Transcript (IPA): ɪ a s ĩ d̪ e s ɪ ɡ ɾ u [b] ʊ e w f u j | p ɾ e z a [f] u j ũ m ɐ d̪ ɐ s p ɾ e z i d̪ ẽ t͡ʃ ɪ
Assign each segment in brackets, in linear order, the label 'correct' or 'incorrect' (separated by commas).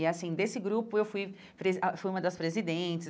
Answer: incorrect, correct